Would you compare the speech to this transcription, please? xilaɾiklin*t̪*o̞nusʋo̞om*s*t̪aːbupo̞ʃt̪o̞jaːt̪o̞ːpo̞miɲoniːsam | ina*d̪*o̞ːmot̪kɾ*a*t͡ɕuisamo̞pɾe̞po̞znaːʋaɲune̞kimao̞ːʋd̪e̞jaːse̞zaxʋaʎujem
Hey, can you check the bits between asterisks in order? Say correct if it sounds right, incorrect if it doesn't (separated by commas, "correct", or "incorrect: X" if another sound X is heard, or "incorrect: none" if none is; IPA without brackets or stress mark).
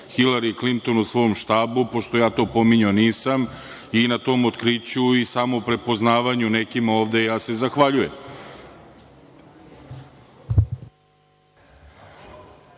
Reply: correct, incorrect: ʃ, incorrect: t̪, incorrect: i